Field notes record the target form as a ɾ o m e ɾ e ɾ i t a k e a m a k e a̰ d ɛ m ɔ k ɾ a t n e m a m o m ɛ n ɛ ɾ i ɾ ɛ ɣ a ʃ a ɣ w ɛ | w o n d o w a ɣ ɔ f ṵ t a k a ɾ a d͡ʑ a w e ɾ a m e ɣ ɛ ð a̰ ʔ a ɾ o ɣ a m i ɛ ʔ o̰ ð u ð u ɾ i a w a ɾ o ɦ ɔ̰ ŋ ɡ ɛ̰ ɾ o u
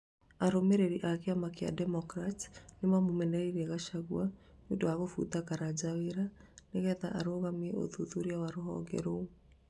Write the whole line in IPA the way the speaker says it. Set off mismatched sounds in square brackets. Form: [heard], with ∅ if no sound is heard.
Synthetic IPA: a ɾ o m e ɾ e ɾ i [ʔ] a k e a m a k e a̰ d ɛ m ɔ k ɾ a t n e m a m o m ɛ n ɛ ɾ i ɾ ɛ ɣ a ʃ a ɣ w [a] | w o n d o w a ɣ [o] f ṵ t a k a ɾ a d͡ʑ a w e ɾ a [n] e ɣ ɛ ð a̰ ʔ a ɾ o ɣ a m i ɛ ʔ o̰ ð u ð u ɾ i a w a ɾ o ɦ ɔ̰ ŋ ɡ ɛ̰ ɾ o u